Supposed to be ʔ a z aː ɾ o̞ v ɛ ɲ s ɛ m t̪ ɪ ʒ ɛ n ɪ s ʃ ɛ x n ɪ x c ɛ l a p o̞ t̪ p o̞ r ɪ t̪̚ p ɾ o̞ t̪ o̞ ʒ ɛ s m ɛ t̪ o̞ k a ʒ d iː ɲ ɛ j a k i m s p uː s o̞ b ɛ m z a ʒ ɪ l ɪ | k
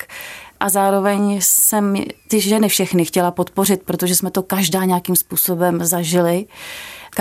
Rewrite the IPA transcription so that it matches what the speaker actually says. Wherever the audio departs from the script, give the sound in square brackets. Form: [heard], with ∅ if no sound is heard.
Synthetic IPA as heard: ʔ a z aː ɾ o̞ v ɛ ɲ s ɛ m t̪ ɪ ʒ ɛ n ɪ [f] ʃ ɛ x n ɪ x c ɛ l a p o̞ t̪ p o̞ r ɪ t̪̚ p ɾ o̞ t̪ o̞ ʒ ɛ s m ɛ t̪ o̞ k a ʒ d [aː] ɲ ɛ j a k i m s p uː s o̞ b ɛ m z a ʒ ɪ l ɪ | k